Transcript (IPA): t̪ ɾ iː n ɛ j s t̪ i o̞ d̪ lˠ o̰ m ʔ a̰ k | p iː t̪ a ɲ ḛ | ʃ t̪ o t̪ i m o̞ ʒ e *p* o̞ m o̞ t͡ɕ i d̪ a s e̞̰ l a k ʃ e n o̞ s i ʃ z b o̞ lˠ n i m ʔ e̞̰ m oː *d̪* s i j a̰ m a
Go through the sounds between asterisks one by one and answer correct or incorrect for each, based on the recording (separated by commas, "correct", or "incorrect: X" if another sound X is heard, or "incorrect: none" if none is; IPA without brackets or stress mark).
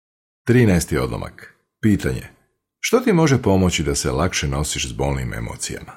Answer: correct, incorrect: t̪